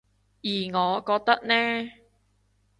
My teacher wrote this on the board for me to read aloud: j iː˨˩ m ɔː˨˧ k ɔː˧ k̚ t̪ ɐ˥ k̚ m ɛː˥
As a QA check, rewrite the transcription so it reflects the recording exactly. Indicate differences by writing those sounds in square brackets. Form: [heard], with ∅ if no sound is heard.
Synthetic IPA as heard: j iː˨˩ [ŋ] ɔː˨˧ k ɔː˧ k̚ t̪ ɐ˥ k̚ [n] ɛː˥